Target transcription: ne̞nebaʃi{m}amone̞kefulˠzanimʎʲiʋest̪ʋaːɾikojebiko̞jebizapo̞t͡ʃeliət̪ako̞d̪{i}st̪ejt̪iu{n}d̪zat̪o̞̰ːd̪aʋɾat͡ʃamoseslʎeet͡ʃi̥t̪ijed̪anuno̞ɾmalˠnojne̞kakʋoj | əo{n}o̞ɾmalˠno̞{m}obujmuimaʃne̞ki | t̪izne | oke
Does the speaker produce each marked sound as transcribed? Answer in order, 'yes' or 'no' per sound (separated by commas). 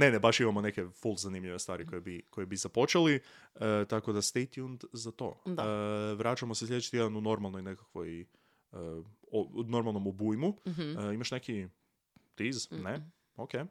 yes, no, yes, yes, yes